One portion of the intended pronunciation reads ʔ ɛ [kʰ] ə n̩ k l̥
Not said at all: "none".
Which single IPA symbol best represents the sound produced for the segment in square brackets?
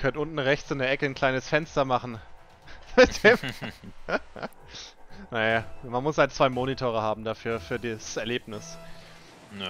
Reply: k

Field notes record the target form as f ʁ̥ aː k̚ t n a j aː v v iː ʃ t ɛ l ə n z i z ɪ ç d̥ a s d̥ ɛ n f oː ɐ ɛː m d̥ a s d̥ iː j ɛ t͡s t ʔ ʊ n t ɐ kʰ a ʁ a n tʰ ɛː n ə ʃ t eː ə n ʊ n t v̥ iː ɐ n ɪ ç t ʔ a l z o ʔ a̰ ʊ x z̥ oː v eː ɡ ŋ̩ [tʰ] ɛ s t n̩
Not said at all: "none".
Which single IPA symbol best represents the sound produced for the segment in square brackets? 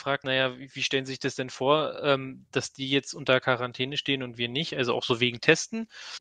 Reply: tʰ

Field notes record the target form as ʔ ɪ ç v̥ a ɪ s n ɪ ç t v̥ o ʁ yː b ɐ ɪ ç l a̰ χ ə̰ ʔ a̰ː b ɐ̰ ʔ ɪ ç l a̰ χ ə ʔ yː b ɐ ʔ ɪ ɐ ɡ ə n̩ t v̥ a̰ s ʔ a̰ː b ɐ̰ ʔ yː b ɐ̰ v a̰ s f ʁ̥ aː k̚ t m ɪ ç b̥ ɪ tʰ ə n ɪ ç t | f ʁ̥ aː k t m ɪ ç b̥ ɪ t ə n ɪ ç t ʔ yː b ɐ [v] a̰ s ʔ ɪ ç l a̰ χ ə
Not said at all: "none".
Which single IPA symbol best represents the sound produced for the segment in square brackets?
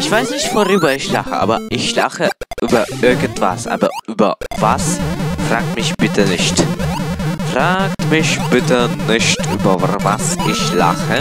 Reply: v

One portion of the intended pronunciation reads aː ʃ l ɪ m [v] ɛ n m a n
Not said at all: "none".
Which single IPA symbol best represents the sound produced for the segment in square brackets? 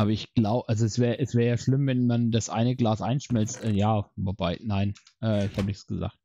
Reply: v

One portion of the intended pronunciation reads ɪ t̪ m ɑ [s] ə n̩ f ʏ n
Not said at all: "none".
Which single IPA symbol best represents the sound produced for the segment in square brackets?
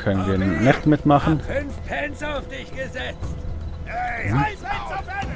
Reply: χ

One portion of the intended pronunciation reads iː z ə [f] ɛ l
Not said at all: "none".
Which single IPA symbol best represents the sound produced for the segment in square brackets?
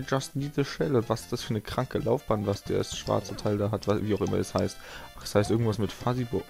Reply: ʃ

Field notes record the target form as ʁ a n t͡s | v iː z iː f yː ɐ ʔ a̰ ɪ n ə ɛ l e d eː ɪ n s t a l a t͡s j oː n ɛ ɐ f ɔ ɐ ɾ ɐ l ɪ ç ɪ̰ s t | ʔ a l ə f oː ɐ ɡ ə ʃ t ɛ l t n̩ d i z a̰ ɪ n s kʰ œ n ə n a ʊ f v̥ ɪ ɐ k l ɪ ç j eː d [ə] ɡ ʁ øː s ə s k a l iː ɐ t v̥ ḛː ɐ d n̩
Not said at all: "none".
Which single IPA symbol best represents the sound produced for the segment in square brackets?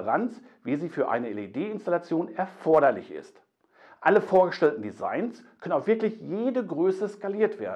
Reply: ə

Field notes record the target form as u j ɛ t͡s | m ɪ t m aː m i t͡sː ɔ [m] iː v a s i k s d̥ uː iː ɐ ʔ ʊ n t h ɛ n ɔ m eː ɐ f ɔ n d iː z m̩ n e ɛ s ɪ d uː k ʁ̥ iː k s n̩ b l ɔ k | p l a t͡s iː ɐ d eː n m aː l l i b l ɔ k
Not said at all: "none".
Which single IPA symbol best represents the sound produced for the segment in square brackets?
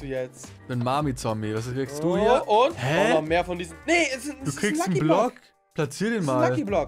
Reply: m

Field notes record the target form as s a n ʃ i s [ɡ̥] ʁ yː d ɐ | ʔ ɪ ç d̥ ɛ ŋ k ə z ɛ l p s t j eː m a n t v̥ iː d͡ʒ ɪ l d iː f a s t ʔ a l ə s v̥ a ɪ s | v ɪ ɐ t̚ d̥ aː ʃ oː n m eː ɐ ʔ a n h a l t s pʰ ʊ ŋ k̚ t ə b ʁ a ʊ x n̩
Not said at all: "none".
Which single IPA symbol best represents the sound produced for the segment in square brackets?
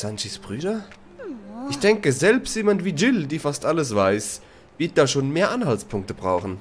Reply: b̥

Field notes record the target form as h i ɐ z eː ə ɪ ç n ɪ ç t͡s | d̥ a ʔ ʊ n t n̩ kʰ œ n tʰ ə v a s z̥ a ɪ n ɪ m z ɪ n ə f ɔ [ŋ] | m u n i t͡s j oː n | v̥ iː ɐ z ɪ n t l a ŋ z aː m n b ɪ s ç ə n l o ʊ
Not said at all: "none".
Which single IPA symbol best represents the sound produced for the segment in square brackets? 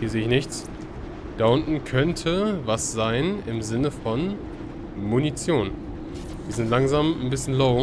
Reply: n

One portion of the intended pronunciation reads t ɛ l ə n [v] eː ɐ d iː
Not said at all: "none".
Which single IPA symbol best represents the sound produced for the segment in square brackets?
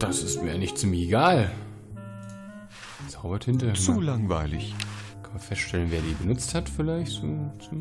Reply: v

